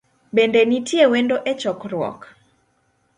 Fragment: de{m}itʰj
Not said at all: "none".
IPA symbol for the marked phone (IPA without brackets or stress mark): n